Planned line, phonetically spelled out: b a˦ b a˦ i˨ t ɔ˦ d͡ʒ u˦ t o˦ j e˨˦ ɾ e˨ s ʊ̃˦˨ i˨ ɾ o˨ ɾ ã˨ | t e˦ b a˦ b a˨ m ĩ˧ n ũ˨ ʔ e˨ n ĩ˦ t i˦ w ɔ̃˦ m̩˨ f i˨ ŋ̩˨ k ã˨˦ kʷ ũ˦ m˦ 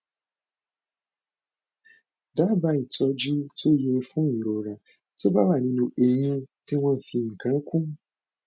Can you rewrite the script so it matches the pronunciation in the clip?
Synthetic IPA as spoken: d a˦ b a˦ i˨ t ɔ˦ d͡ʒ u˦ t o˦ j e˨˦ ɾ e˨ f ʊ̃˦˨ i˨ ɾ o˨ ɾ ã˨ | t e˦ b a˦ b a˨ n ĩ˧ n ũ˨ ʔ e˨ ɲ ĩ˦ t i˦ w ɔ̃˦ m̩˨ f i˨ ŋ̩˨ k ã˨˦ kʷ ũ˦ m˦